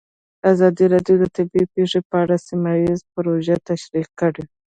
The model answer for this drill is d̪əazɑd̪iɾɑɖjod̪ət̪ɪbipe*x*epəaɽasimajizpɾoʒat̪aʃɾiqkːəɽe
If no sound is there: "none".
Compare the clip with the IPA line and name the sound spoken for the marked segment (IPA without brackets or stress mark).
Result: ʂ